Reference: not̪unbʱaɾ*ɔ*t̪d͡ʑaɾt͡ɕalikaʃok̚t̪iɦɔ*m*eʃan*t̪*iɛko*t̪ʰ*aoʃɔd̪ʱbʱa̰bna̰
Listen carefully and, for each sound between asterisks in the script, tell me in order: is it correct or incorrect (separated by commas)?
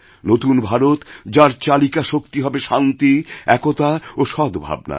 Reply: incorrect, incorrect, correct, incorrect